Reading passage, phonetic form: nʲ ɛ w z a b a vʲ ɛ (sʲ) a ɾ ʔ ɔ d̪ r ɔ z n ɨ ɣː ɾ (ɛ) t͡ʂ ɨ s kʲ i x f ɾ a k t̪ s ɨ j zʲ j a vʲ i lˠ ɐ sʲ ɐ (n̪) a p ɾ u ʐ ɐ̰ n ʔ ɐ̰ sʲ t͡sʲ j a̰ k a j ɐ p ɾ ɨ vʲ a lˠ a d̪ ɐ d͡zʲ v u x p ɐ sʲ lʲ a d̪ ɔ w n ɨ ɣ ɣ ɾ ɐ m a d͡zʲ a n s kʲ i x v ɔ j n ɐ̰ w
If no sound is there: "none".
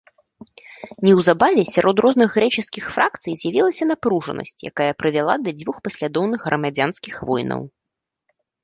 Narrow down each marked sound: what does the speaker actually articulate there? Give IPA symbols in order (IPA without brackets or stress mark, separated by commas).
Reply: sʲ, ɛ, n̪